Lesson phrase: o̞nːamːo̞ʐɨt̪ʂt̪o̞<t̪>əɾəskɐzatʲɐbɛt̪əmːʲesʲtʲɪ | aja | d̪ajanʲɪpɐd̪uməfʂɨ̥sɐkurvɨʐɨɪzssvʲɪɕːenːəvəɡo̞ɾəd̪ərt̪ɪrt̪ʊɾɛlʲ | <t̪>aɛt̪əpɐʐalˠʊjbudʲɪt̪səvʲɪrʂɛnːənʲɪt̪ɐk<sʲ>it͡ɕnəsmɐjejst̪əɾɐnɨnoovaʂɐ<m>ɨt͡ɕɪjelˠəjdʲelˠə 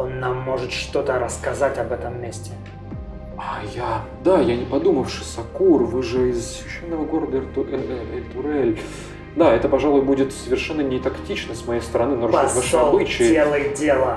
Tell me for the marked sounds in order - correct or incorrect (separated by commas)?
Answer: correct, incorrect, incorrect, incorrect